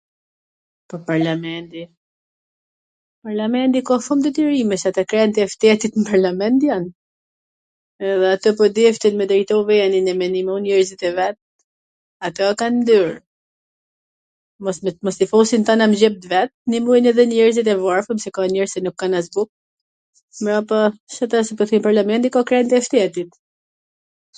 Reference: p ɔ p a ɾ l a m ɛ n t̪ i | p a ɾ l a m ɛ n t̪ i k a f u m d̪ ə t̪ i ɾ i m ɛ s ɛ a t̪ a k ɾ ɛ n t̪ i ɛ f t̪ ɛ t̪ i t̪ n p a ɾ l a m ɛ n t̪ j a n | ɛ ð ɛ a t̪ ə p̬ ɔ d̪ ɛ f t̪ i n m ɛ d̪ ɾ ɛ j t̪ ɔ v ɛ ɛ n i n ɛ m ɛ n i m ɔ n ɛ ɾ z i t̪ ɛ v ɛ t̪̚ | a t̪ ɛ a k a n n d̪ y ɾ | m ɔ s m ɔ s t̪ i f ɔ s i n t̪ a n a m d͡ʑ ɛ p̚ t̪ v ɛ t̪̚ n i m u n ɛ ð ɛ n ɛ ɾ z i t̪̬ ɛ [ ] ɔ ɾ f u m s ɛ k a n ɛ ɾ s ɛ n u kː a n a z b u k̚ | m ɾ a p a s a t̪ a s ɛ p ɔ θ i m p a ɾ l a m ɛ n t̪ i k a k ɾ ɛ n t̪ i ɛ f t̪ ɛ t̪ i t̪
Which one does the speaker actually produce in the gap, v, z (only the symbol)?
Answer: v